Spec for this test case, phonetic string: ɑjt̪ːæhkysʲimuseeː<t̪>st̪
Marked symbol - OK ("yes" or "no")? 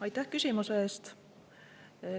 no